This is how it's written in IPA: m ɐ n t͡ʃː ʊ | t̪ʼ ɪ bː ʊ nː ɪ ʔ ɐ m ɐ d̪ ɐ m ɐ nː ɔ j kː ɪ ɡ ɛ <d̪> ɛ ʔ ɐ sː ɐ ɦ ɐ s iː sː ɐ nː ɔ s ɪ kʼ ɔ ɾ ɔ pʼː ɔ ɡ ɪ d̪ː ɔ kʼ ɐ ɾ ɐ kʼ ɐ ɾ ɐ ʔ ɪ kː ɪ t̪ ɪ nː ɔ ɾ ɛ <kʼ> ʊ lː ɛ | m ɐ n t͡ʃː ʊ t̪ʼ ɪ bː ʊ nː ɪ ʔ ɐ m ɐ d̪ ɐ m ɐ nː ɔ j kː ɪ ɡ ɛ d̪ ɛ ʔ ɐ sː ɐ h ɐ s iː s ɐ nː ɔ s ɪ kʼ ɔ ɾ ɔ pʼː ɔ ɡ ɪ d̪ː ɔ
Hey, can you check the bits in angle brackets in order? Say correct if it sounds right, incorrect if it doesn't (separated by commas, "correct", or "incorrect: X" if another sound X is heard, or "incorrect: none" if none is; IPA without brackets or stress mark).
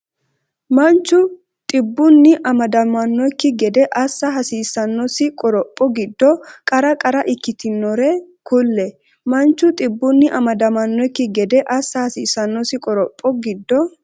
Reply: correct, incorrect: k